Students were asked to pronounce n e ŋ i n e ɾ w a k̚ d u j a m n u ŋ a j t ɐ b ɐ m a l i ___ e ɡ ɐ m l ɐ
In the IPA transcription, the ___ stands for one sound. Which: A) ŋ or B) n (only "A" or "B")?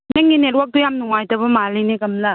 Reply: B